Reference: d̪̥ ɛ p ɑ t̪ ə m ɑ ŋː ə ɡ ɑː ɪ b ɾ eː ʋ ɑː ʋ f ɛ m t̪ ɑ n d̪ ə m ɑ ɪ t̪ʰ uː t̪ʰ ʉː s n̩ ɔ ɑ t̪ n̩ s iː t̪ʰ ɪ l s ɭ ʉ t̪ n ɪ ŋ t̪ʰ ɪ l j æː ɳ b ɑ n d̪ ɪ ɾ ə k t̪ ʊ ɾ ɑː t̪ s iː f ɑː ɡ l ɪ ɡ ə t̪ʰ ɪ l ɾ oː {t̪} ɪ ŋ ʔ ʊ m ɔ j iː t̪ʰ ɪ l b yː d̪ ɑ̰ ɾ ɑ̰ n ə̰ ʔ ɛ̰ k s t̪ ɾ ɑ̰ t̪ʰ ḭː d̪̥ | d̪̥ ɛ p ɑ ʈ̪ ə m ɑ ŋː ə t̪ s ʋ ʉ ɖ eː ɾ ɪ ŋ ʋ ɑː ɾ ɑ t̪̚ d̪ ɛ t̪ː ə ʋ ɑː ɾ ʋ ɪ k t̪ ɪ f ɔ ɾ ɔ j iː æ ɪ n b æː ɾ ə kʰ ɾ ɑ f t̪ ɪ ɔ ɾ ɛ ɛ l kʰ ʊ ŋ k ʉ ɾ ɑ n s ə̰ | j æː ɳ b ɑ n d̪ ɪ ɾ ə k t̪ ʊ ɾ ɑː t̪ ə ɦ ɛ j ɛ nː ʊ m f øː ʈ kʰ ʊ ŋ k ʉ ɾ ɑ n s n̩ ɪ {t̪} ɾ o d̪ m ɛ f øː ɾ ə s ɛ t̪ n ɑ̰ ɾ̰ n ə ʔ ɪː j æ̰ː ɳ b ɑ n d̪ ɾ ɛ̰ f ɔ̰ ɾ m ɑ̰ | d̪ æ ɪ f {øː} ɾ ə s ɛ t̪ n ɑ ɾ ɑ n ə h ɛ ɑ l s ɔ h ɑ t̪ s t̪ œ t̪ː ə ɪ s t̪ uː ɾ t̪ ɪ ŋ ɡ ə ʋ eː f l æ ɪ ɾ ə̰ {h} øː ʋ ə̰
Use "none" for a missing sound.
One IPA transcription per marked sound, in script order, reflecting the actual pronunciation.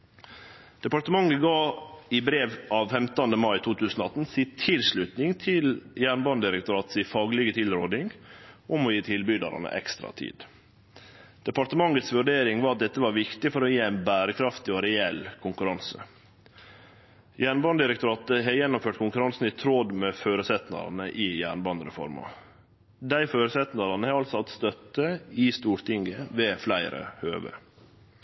d̪, t̪ʰ, øː, h

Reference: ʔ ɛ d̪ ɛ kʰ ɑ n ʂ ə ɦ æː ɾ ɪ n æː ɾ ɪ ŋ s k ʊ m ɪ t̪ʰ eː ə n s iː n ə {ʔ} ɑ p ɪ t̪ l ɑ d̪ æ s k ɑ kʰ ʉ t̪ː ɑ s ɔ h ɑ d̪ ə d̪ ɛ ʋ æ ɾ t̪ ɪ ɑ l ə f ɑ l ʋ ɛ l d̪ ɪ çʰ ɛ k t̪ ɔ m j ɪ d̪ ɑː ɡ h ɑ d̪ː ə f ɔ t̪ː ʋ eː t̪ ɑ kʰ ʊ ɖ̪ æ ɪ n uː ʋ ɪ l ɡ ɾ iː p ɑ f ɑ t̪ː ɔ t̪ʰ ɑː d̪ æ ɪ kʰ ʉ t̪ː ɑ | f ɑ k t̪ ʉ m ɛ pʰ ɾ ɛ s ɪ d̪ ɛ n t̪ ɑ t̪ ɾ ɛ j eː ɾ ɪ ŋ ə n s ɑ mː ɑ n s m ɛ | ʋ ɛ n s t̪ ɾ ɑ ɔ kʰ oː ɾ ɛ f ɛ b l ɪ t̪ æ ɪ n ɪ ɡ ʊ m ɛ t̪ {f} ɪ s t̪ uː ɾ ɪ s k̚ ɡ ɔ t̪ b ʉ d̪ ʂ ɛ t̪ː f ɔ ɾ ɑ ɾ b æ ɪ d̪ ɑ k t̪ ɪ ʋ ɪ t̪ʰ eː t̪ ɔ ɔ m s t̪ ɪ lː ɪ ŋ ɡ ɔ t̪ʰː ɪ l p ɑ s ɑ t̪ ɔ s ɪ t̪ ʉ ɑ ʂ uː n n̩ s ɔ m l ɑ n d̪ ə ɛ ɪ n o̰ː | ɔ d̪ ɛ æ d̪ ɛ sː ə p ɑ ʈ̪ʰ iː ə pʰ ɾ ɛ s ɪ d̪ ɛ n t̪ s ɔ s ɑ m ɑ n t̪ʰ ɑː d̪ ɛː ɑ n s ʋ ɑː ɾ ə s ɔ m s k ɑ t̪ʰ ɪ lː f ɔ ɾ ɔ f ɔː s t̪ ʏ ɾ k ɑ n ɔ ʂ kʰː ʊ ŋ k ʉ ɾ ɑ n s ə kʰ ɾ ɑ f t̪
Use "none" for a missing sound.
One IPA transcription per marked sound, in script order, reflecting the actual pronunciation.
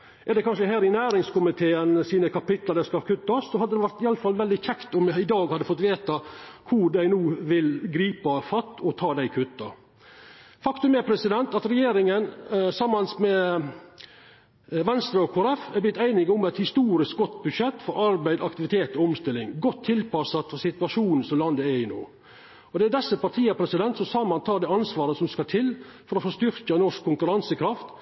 k, h

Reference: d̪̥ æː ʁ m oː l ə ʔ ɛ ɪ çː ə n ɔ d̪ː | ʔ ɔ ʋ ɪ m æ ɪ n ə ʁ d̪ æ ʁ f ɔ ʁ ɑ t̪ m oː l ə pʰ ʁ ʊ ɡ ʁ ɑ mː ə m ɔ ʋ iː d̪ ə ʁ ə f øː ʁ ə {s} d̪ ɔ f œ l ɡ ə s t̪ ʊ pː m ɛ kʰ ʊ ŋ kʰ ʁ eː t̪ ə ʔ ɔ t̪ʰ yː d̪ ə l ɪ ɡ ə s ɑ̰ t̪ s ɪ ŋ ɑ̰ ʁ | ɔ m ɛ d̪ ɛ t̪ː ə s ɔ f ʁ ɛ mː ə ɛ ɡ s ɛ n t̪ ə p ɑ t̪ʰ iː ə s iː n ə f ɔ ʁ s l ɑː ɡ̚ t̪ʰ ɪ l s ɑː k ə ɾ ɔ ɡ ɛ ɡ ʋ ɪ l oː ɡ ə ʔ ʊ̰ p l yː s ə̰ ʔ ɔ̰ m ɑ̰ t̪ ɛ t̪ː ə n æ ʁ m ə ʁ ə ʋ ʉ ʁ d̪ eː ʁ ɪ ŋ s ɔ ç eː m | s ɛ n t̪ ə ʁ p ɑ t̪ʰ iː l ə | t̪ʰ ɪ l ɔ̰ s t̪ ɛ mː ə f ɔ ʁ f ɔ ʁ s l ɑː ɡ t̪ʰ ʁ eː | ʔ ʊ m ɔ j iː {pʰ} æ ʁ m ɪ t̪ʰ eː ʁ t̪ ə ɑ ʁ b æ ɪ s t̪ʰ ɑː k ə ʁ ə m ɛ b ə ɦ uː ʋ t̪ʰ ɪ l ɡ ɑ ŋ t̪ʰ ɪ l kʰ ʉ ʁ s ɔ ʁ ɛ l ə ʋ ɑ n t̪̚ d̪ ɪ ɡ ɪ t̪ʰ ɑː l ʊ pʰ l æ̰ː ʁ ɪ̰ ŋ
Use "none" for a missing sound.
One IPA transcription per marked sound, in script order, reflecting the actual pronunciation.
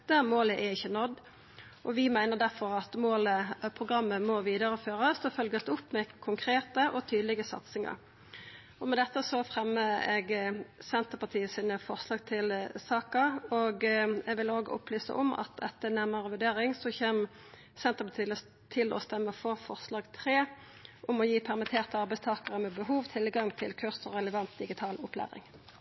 s, pʰ

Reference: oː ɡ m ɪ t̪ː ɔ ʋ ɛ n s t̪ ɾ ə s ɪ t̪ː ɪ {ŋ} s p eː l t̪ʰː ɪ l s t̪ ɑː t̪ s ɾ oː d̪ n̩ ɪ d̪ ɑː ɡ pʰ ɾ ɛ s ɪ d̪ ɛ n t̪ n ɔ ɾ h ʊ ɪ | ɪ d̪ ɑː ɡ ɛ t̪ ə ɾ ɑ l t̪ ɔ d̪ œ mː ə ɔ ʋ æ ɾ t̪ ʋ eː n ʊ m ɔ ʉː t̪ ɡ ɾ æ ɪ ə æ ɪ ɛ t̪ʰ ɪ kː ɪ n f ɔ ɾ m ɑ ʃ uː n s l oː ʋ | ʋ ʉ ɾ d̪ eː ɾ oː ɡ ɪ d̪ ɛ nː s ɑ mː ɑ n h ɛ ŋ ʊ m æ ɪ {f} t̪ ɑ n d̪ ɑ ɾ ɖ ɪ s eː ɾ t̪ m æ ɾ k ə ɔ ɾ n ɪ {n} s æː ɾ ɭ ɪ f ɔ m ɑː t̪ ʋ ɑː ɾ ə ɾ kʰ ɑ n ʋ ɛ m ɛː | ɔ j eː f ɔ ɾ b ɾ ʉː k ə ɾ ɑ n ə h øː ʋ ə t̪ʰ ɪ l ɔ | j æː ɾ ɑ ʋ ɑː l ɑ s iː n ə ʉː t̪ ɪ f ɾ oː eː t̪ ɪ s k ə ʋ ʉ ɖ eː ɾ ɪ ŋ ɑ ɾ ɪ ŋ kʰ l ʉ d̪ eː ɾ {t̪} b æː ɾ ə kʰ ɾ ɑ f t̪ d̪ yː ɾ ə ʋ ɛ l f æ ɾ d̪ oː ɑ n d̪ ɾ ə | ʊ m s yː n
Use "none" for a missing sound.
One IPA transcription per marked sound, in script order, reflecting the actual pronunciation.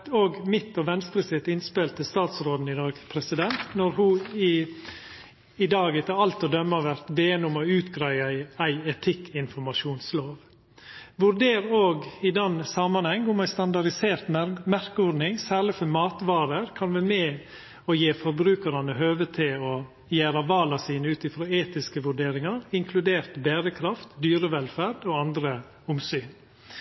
n, s, ŋ, t̪

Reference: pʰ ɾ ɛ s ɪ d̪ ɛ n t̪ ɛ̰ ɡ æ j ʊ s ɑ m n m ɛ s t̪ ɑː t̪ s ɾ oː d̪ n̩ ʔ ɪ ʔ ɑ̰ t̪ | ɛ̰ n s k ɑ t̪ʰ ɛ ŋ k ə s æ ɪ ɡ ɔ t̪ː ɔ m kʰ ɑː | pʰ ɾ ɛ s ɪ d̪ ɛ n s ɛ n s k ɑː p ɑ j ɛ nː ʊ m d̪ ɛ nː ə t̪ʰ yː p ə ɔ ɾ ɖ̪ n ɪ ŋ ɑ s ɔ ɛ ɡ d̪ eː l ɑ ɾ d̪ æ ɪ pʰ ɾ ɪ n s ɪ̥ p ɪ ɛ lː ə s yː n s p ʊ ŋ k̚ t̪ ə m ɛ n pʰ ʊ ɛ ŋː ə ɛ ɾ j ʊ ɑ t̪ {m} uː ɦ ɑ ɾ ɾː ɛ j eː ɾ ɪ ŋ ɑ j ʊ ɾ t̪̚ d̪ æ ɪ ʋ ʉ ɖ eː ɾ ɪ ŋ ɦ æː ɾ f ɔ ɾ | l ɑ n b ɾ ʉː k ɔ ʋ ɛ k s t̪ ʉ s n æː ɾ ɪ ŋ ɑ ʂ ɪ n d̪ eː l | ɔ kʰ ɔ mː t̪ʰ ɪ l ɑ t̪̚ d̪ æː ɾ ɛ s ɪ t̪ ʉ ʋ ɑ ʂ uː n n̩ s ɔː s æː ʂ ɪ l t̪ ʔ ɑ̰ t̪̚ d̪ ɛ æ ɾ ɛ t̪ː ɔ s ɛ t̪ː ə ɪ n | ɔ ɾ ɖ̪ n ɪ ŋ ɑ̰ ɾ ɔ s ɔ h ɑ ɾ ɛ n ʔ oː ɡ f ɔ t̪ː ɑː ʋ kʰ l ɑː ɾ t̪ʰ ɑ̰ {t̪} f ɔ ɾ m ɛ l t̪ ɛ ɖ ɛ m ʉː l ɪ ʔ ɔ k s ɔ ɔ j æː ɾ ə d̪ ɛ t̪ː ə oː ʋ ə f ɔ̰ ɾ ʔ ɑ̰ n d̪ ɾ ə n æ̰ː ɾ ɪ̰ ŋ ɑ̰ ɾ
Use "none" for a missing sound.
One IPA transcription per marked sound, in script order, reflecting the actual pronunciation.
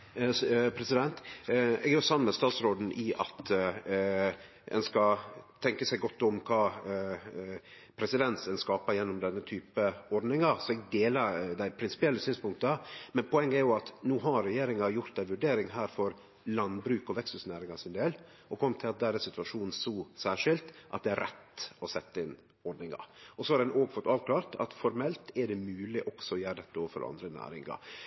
n, t̪

